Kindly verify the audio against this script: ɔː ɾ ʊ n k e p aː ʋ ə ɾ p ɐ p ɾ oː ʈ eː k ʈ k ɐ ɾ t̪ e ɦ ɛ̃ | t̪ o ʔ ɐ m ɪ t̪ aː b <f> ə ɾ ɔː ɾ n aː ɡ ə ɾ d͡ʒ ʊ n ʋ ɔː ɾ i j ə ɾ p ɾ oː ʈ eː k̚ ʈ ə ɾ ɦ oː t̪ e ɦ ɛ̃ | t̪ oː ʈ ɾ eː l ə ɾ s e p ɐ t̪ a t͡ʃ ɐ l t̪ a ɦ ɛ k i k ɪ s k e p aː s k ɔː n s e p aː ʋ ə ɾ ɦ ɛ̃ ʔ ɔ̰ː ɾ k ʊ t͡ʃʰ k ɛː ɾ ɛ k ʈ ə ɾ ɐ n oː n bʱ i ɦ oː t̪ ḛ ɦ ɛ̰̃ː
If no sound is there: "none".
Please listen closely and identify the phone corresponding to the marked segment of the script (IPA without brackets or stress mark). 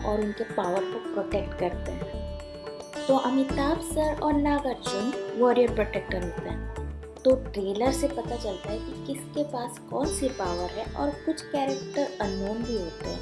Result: s